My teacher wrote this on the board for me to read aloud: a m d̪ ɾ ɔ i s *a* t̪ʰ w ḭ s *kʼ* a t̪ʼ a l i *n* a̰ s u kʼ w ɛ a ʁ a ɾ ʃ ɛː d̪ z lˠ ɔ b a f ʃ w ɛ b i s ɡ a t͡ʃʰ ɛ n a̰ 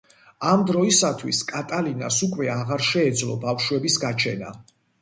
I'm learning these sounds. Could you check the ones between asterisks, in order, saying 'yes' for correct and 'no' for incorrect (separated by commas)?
yes, yes, yes